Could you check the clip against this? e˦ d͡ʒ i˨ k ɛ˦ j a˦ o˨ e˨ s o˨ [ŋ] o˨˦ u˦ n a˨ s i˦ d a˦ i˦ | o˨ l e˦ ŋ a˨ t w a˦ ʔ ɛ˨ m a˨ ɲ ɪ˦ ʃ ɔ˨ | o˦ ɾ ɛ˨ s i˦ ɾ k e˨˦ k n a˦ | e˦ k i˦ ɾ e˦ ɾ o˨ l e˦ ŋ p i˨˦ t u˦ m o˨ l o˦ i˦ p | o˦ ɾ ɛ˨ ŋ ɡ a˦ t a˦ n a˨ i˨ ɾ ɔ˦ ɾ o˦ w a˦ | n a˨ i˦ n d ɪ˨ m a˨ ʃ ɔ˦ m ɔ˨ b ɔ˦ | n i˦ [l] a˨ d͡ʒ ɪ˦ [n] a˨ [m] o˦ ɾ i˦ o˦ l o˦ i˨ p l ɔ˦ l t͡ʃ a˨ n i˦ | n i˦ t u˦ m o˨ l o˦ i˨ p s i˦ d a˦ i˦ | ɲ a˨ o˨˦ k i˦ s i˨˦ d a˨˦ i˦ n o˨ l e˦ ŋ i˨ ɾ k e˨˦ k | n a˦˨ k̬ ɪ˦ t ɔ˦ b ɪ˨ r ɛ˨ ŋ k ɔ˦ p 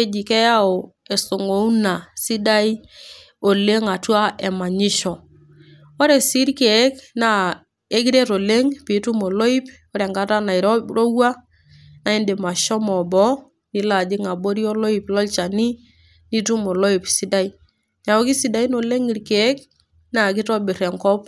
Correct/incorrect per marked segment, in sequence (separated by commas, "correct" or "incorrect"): correct, correct, incorrect, incorrect